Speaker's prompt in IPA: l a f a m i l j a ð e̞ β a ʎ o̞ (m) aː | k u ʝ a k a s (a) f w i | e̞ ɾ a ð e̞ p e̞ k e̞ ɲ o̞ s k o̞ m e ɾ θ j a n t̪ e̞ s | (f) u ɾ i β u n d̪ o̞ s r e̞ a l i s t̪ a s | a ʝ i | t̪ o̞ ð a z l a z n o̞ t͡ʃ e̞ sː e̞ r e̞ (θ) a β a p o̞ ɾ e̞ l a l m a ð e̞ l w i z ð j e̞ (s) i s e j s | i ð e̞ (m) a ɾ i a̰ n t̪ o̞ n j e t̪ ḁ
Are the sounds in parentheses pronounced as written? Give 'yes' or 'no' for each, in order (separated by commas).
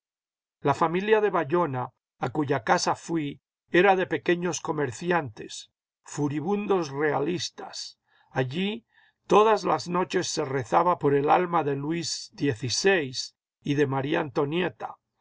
no, yes, yes, yes, no, yes